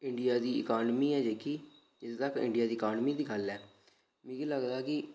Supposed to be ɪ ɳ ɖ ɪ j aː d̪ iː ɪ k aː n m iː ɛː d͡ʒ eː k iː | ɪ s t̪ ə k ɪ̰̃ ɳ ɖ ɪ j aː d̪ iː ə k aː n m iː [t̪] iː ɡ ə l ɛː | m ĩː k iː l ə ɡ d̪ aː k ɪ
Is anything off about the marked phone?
yes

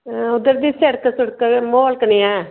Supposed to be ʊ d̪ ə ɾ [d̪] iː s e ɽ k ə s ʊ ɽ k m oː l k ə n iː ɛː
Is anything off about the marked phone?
no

